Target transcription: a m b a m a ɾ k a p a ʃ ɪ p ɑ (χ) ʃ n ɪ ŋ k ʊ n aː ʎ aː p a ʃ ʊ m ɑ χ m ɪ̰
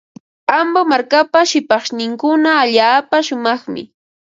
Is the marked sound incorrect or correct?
correct